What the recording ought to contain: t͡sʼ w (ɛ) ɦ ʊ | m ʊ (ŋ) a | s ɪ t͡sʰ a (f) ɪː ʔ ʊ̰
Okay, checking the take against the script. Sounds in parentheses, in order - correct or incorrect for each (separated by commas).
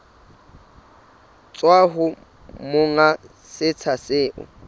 incorrect, correct, incorrect